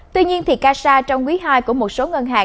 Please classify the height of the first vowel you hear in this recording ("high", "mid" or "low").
high